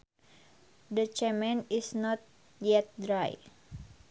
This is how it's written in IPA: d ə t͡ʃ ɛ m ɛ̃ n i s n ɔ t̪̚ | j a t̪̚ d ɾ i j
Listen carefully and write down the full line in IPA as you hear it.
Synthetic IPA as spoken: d ə t͡ʃ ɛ m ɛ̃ n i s n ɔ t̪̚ | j ɛ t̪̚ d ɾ a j